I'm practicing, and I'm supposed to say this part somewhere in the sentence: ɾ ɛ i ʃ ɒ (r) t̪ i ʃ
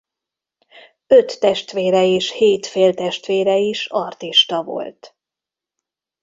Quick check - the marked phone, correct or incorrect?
correct